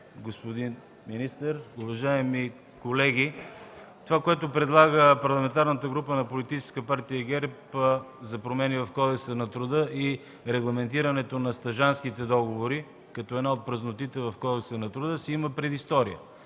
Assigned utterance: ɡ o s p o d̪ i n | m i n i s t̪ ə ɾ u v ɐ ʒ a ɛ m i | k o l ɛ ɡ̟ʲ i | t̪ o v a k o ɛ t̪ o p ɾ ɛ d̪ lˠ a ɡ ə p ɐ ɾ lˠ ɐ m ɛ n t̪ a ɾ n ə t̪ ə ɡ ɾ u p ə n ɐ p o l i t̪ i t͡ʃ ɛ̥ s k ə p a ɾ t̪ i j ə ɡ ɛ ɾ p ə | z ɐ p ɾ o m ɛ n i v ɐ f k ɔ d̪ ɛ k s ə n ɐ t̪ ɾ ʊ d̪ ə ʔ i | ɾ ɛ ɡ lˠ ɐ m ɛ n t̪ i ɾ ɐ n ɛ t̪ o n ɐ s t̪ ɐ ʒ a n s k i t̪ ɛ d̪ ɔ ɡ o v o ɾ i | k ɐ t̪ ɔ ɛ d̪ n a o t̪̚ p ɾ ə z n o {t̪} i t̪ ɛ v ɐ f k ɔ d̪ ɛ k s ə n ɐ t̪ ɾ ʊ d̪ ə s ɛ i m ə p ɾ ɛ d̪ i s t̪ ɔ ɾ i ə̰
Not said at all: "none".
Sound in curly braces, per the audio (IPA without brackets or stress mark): t̪